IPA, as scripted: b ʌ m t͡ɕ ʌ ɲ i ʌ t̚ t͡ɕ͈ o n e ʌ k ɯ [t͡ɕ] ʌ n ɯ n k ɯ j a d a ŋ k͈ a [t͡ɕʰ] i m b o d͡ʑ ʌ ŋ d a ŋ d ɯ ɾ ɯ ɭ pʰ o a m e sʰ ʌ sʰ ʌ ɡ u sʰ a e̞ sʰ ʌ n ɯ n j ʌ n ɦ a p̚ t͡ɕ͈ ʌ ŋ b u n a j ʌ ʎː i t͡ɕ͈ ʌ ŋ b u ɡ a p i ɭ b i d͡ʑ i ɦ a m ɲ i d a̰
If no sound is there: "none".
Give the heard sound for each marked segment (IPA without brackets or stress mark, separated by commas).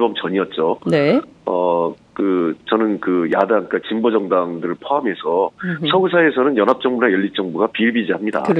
t͡ɕ, t͡ɕ